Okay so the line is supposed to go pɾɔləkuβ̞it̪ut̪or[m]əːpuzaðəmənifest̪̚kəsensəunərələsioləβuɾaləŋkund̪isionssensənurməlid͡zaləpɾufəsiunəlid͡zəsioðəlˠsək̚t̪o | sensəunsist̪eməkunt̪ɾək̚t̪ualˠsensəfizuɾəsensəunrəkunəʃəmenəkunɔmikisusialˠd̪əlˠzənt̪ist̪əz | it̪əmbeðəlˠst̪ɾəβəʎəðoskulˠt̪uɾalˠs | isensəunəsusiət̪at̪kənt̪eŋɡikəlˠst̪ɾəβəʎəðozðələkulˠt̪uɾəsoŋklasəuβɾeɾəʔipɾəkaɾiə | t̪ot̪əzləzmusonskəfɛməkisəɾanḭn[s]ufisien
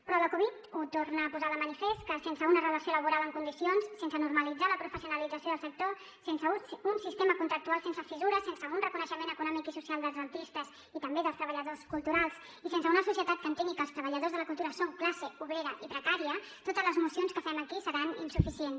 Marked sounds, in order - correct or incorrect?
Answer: incorrect: n, correct

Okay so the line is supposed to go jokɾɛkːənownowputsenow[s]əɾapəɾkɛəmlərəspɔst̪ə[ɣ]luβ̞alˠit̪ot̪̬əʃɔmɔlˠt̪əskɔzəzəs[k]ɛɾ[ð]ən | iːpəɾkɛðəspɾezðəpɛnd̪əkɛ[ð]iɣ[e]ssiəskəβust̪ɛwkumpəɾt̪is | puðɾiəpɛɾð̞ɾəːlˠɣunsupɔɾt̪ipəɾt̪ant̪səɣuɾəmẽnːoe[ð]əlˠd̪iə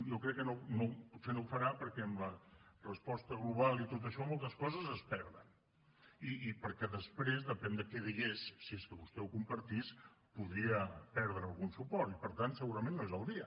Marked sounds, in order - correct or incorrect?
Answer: incorrect: f, correct, incorrect: p, correct, correct, correct, incorrect: z

